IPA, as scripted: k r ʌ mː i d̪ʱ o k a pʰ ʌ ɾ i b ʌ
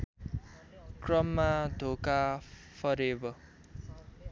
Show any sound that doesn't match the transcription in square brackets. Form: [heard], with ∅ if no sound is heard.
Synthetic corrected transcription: k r ʌ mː [a] d̪ʱ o k a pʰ ʌ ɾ [e] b ʌ